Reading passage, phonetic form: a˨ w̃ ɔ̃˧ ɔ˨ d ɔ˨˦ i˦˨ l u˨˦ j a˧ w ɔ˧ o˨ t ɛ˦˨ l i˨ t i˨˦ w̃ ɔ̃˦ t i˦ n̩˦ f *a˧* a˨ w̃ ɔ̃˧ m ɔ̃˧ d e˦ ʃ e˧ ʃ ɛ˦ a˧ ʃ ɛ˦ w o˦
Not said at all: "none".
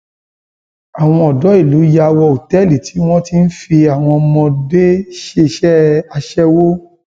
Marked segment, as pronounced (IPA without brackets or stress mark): i˧